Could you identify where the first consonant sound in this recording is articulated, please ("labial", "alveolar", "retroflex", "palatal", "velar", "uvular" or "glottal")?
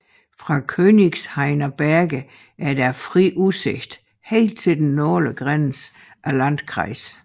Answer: labial